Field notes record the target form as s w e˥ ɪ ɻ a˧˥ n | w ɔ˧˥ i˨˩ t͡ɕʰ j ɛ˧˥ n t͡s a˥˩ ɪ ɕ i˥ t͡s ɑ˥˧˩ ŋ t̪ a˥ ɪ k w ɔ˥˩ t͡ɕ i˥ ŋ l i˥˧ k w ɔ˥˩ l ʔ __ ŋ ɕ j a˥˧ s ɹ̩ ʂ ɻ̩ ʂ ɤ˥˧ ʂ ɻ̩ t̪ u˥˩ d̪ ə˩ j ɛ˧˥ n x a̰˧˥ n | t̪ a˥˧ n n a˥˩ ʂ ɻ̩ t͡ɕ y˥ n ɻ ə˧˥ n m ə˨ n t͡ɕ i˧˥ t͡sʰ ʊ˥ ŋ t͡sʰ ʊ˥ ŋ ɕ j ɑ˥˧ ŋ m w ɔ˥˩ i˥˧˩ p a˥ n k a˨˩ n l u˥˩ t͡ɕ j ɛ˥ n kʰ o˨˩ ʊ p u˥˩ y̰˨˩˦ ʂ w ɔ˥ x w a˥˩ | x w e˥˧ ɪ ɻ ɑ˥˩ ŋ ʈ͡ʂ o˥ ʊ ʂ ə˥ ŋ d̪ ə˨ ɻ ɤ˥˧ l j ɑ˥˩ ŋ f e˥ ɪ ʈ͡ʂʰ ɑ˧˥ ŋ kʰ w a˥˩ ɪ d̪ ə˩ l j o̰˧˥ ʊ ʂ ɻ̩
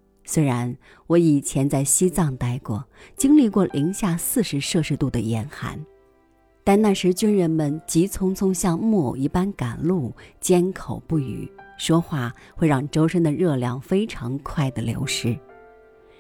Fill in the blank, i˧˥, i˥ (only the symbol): i˧˥